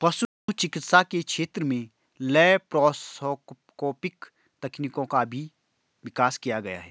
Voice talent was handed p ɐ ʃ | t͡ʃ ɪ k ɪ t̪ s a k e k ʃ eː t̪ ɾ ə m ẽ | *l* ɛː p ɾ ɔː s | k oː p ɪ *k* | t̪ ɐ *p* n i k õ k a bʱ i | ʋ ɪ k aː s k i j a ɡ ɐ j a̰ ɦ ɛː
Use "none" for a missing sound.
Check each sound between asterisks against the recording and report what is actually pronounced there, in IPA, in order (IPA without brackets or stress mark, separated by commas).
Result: l, k, k